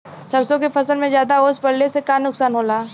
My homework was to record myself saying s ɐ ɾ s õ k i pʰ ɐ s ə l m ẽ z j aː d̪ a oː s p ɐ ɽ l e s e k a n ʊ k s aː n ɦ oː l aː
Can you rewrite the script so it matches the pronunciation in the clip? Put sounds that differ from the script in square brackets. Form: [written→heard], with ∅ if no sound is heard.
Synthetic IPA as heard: s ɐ ɾ s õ k [i→e] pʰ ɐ s ə l m ẽ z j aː d̪ a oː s p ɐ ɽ l e s e k a n ʊ k s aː n ɦ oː l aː